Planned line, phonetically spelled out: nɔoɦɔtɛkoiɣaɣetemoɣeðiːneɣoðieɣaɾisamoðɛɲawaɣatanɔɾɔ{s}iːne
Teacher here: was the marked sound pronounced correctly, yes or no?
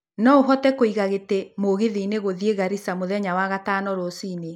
yes